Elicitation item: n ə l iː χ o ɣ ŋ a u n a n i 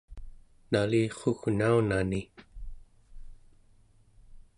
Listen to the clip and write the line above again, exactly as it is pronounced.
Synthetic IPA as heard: n a l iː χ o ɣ n a u n a n i